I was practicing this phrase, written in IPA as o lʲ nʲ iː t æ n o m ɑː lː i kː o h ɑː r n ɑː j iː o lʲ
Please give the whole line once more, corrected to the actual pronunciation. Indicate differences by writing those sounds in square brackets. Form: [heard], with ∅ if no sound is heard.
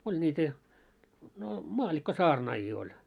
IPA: o lʲ nʲ iː t æ n o m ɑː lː i kː o [s] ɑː r n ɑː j iː o lʲ

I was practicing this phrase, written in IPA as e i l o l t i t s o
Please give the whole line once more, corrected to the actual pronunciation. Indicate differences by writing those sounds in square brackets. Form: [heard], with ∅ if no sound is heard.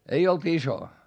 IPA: e i [∅] o l t i [∅] s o

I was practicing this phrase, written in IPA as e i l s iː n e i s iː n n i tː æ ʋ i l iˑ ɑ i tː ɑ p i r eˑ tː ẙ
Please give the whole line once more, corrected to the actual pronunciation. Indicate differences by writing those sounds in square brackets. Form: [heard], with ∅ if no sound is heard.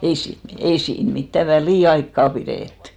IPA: e i [∅] s iː n e i s iː n [m] i tː æ ʋ [æ] l iˑ ɑ i [kː] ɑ p i r eˑ tː ẙ

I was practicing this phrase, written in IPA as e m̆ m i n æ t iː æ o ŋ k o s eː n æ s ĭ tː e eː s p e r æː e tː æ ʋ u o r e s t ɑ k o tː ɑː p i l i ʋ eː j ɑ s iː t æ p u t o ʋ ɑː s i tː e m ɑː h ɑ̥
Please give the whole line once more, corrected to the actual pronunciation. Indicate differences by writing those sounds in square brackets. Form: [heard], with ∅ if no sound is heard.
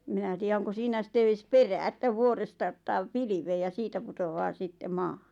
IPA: e m̆ m i n æ t iː æ o ŋ k o s [iː] n æ s ĭ tː e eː s p e r æː e tː æ ʋ u o r e s t ɑ [∅] o tː ɑː p i l i ʋ eː j ɑ s iː t æ p u t o ʋ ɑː s i tː e m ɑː h ɑ̥

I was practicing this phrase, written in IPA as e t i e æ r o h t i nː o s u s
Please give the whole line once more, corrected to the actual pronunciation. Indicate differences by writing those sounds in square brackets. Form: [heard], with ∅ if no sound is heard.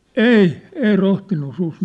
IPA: e [∅] i e [i] r o h t i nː [u] s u s

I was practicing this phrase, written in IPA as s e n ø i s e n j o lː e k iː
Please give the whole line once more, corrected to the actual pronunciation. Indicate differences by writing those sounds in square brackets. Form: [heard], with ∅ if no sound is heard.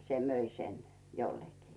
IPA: s e [m] ø i s e n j o lː e k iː

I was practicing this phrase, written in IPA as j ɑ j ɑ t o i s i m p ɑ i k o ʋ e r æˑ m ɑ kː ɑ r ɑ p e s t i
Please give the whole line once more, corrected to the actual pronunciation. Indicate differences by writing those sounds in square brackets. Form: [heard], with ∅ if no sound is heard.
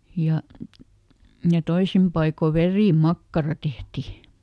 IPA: j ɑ j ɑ t o i s i m p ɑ i k o ʋ e r [iˑ] m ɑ kː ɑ r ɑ [t] e [h] t i

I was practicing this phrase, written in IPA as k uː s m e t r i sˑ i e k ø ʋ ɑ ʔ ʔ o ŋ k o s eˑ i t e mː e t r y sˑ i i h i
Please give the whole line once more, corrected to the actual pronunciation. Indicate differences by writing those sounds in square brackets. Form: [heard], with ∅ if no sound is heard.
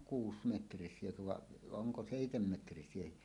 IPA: k uː s m e t r i sˑ i e k ø ʋ ɑ ʔ ʔ o ŋ k o s eˑ i t e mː e t r [i] sˑ i [e] h i

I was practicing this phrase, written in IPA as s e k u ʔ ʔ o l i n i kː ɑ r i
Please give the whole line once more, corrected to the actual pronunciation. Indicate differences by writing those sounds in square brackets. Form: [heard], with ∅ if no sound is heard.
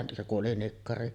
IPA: s e k u ʔ ʔ o l i n i kː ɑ r i

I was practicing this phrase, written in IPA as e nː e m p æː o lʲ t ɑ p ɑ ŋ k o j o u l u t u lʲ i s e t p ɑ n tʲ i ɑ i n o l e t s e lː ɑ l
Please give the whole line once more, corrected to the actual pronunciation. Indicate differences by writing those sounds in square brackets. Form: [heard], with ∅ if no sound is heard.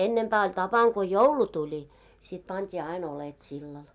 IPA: e nː e m p æː o lʲ t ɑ p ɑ ŋ k o j o u l u t u lʲ i s [i] t p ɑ n tʲ [iː] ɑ i n o l e t s [i] lː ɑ l

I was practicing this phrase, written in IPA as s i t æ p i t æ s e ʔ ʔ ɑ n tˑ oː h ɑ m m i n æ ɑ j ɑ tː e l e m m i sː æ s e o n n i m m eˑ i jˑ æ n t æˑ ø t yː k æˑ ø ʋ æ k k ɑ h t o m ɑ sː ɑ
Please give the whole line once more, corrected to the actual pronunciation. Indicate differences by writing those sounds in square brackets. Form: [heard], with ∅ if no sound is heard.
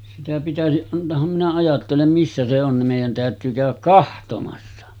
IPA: s i t æ p i t æ s [i] ʔ ʔ ɑ n tˑ oː h ɑ m m i n æ ɑ j ɑ tː e l e m m i sː æ s e o n n i m m eˑ i jˑ æ n t æˑ ø t yː k æˑ ø ʋ æ k k ɑ h t o m ɑ sː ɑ

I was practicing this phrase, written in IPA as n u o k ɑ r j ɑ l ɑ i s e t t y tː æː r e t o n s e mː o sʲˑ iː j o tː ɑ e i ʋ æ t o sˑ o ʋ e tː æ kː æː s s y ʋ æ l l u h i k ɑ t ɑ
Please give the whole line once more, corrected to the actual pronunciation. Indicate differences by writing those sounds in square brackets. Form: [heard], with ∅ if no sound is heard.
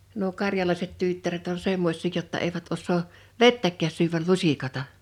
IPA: n u o k ɑ r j ɑ l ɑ i s e t t y tː [æ] r e t o n s e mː o sʲˑ iː j o tː ɑ e i ʋ æ t o sˑ [oː] ʋ e tː æ kː æː s s y ʋ æ l l u [s] i k ɑ t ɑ

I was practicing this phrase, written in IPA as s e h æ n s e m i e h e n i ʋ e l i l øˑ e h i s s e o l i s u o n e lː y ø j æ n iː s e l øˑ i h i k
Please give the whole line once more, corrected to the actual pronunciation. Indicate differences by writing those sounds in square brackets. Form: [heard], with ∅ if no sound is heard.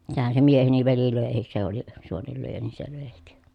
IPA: s e h æ n s e m i e h e n i ʋ e l i l øˑ e h i s s e o l i s u o n e lː y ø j æ n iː s e l øˑ [e] h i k

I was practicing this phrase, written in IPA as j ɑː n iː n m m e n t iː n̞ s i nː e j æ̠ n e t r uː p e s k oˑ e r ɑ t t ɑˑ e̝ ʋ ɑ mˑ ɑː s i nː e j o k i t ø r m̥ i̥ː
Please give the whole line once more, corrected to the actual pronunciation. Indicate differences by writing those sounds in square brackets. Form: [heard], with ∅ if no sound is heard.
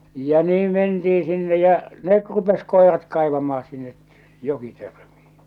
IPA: j [ɑ] n iː [∅] m m e n t iː n̞ s i nː e j æ̠ n e t r [u] p e s k oˑ e r ɑ t [k] ɑˑ e̝ ʋ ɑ mˑ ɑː s i nː e j o k i t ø r m̥ i̥ː

